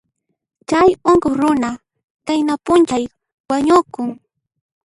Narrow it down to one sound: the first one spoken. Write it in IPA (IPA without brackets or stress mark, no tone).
t͡ʃ